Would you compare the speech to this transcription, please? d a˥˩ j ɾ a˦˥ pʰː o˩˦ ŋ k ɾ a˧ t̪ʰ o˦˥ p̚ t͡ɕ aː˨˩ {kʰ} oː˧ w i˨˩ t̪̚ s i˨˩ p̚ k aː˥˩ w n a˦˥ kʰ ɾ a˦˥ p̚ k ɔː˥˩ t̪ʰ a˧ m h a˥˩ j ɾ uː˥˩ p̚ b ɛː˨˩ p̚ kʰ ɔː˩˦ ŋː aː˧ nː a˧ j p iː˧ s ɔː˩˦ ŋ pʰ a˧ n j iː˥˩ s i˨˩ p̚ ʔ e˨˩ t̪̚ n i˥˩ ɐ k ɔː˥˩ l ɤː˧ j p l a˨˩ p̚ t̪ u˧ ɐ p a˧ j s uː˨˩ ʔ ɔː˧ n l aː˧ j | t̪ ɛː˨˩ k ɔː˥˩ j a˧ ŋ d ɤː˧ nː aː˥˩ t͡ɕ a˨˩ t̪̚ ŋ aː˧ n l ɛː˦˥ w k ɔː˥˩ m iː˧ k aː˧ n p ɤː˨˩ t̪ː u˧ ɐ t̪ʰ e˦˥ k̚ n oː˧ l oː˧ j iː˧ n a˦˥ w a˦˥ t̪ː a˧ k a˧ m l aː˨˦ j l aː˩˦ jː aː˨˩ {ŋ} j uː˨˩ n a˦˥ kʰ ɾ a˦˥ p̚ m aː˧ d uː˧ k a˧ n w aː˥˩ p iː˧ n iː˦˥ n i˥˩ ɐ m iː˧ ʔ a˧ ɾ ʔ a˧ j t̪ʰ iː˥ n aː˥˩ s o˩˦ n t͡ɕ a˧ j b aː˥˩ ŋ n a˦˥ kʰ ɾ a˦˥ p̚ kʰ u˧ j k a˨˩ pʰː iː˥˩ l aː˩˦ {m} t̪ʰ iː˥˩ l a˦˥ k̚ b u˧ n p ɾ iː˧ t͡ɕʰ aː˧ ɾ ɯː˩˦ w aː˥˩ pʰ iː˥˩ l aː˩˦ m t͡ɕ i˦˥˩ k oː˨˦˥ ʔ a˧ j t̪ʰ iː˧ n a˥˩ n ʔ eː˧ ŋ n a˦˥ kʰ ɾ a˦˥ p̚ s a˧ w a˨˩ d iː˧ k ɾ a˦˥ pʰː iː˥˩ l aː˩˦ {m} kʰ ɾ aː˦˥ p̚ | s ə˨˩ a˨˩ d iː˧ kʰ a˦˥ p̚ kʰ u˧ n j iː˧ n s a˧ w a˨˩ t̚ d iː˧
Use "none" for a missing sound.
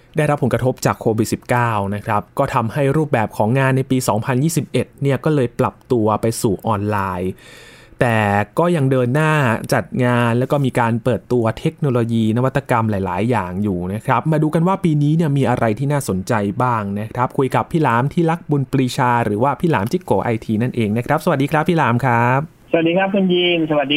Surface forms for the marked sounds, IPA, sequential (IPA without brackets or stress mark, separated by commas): kʰ, ŋ, m, m